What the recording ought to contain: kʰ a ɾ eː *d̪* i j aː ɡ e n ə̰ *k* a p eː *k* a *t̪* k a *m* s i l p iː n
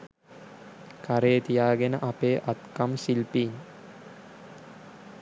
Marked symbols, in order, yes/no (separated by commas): no, no, no, yes, yes